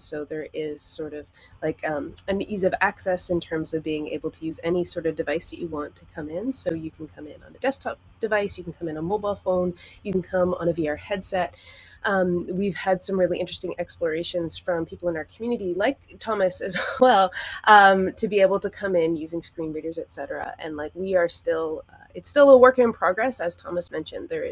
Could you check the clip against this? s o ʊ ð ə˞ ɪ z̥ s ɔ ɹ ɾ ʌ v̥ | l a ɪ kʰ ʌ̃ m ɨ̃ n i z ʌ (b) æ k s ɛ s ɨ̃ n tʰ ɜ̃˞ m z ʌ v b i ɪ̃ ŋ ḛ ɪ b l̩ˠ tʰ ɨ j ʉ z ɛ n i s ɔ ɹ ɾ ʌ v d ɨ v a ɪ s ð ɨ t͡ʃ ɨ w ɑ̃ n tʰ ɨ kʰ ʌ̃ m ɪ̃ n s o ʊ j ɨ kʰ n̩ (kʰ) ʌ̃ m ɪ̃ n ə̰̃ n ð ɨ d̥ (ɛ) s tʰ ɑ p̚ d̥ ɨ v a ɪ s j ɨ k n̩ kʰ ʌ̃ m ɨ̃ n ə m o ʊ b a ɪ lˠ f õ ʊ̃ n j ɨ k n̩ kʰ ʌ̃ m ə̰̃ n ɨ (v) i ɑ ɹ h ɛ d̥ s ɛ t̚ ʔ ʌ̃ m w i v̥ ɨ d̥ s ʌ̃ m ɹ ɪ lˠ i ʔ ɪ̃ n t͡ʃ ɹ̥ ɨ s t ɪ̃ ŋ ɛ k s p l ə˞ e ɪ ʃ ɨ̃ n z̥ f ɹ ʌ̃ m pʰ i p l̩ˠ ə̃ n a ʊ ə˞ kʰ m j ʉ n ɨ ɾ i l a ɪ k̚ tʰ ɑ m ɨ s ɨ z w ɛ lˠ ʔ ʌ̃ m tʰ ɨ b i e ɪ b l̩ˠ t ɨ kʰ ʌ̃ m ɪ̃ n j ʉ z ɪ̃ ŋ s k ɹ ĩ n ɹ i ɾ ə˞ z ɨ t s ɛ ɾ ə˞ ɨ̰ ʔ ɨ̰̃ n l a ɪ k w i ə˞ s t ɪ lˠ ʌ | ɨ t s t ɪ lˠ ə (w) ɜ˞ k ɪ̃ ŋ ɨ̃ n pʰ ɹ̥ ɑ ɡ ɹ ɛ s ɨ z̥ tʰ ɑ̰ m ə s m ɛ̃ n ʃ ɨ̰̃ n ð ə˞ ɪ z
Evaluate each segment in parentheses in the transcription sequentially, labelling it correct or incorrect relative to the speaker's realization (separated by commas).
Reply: incorrect, correct, correct, correct, correct